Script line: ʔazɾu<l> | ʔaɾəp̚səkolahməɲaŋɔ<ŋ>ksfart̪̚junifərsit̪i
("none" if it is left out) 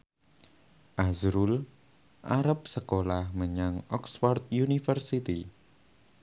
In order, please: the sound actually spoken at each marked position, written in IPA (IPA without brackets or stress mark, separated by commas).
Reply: l, none